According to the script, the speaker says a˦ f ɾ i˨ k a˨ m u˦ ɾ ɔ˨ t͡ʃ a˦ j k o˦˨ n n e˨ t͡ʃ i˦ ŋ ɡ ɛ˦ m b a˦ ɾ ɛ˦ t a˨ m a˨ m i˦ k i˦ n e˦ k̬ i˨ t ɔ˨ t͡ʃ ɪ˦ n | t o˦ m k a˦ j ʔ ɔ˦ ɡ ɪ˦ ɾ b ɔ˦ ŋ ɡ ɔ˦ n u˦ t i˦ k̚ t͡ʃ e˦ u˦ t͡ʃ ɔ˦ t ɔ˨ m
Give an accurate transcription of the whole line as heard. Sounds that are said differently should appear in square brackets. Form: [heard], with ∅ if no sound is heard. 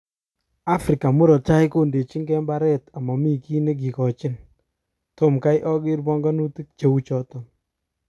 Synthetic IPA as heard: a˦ f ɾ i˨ k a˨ m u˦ ɾ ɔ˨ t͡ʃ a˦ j k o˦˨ n [d] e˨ t͡ʃ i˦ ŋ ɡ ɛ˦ m b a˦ ɾ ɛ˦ t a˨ m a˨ m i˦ k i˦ n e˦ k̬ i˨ [k] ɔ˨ t͡ʃ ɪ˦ n | t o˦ m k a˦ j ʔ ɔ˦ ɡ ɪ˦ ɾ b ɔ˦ ŋ ɡ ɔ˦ n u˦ t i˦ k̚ t͡ʃ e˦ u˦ t͡ʃ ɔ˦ t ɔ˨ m